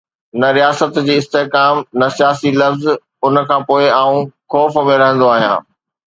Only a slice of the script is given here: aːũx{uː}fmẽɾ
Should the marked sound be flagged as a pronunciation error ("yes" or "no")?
yes